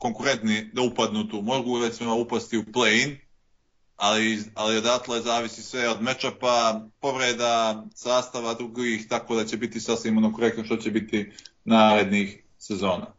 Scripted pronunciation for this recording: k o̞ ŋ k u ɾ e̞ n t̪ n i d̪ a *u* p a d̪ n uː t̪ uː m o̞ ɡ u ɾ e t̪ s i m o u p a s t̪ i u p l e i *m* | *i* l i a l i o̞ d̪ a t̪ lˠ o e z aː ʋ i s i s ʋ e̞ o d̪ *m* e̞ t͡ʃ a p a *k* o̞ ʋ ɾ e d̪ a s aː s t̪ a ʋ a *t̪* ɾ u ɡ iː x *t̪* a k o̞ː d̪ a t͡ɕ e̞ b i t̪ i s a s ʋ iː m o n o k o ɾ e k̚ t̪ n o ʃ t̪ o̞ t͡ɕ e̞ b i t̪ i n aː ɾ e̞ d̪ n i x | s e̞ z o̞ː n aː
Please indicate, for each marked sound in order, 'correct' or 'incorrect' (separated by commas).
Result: correct, incorrect, incorrect, correct, incorrect, incorrect, correct